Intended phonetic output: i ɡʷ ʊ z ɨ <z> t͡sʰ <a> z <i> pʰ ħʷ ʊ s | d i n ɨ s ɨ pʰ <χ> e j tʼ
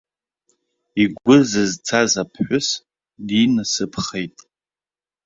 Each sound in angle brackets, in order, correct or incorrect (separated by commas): correct, correct, incorrect, correct